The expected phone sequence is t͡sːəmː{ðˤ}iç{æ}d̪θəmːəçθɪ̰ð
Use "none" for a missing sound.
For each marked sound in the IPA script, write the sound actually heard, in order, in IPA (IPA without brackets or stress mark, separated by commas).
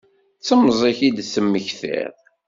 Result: zˤ, i